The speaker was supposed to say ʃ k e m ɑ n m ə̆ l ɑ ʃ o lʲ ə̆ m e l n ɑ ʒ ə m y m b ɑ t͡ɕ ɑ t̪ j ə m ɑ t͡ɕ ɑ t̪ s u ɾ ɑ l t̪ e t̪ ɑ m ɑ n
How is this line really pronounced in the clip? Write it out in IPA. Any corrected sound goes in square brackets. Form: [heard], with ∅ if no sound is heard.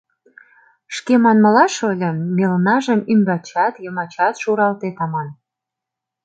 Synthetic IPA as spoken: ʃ k e m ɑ n m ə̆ l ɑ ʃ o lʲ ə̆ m e l n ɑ ʒ ə m y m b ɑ t͡ɕ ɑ t̪ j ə m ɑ t͡ɕ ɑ t̪ [ʃ] u ɾ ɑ l t̪ e t̪ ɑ m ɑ n